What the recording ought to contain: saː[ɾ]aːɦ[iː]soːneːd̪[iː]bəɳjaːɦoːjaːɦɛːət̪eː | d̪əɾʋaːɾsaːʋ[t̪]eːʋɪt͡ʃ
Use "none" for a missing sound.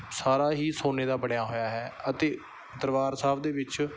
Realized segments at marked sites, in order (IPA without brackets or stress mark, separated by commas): ɾ, iː, aː, d̪